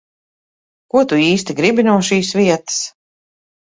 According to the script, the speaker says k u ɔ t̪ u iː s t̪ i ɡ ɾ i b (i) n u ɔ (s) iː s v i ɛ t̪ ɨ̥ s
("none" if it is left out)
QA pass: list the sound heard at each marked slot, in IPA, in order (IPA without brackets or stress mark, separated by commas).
i, ʃ